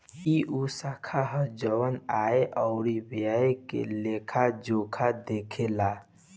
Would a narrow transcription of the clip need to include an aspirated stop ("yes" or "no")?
yes